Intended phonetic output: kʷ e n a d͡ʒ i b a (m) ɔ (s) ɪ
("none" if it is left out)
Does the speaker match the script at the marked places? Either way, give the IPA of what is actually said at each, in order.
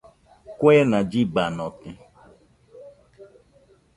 n, t

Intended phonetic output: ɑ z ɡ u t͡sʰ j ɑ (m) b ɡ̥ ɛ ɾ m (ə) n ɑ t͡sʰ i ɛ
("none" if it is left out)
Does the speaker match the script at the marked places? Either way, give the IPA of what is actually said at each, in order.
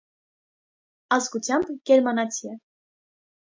m, ɑ

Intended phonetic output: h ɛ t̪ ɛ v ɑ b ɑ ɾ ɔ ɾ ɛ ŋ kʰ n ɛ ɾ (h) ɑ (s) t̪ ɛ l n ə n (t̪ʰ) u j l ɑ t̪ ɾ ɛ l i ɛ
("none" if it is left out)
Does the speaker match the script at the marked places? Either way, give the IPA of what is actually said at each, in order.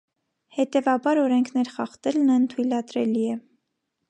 χ, χ, t̪ʰ

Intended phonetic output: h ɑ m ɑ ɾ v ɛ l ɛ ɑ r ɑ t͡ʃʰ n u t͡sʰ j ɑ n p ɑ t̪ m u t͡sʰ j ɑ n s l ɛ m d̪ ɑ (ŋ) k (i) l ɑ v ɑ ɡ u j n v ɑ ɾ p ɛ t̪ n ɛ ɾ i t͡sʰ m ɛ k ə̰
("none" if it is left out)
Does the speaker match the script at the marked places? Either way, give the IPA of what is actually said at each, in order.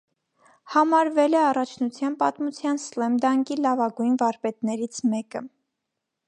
ŋ, i

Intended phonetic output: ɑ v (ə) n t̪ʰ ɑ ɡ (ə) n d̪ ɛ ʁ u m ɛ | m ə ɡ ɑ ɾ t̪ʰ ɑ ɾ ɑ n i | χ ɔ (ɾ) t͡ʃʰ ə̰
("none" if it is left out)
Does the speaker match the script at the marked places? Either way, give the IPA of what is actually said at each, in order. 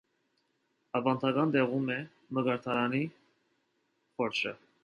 ɑ, ɑ, ɾ

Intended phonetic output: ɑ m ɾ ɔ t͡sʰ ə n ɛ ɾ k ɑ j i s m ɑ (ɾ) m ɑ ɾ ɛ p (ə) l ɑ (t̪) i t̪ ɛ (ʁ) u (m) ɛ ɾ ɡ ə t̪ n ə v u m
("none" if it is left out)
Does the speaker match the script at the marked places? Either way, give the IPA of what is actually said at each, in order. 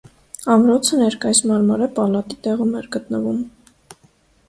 ɾ, ɑ, t̪, ʁ, m

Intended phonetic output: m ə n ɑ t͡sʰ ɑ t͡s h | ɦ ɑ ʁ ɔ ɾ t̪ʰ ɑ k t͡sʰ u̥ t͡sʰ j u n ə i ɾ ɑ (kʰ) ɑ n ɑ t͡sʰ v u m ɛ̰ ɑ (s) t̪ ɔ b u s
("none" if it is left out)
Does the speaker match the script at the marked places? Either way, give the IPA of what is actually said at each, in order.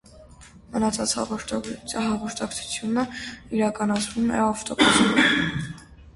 k, f

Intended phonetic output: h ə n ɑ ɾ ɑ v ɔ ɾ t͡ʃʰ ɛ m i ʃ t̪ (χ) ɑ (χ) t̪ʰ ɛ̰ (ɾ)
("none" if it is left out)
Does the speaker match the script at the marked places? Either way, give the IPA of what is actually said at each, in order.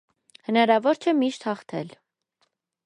h, χ, l

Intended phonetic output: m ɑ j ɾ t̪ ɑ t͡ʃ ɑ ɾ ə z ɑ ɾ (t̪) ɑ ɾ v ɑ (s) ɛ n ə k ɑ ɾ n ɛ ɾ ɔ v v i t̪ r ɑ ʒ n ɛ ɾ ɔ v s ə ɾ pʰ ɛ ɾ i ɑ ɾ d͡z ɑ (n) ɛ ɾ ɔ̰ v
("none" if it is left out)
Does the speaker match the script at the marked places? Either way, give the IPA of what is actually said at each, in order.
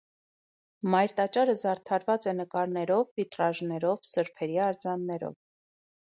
t̪ʰ, t͡s, nː

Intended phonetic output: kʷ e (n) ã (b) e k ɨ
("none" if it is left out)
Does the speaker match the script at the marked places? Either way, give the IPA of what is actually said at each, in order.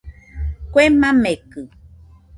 m, m

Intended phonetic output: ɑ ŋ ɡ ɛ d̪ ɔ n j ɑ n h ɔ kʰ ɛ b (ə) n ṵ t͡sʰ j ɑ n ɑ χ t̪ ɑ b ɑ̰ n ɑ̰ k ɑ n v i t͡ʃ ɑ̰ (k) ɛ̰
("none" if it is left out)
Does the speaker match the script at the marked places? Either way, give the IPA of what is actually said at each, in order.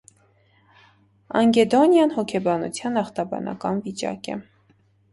ɑ, k

